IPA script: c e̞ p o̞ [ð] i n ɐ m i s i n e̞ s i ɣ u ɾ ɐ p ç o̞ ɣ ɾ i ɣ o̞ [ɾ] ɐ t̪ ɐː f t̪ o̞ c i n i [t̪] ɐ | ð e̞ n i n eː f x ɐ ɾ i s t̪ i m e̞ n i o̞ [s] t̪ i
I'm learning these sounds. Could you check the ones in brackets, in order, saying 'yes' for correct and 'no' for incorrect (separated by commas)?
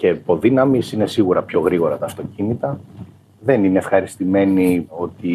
yes, yes, yes, no